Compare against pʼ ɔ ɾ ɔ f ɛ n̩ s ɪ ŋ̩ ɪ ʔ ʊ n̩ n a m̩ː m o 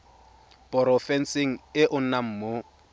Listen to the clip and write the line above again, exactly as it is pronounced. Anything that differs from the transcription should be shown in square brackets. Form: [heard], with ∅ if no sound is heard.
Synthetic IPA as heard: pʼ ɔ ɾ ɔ f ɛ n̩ s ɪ ŋ̩ ɪ ʔ ʊ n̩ n a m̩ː m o